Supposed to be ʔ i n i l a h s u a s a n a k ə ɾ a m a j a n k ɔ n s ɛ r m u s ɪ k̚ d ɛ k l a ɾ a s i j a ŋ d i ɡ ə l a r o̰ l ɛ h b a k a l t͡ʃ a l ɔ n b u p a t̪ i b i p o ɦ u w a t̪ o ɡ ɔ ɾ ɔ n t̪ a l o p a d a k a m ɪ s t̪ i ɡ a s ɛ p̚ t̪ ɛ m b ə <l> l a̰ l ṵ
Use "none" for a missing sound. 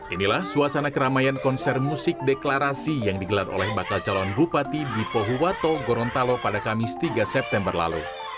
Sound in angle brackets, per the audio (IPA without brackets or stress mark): r